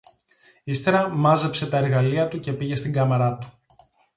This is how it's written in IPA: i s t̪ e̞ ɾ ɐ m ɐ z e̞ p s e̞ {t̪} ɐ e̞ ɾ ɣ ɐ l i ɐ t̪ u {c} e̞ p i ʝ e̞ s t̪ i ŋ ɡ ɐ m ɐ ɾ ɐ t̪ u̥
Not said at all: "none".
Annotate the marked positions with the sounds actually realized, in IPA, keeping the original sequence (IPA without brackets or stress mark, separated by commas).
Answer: t̪, c